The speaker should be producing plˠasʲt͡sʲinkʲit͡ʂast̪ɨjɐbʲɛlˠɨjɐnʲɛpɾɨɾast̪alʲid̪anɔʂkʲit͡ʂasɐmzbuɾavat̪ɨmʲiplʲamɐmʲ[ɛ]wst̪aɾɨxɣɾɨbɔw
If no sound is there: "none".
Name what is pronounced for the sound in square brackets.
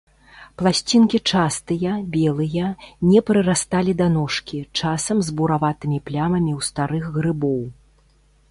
i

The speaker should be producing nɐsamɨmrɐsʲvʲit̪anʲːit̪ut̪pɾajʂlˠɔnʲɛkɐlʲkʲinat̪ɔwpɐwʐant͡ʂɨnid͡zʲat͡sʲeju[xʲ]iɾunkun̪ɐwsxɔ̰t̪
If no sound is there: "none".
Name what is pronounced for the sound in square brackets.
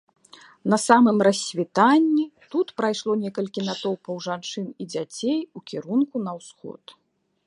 kʲ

